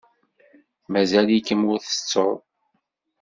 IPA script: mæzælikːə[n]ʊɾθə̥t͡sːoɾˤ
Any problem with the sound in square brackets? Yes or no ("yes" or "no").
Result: yes